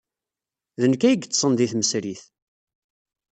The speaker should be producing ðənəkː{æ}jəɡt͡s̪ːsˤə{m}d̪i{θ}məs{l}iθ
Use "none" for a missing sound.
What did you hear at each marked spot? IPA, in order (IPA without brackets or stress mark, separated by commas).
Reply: æ, n, θ, ɾ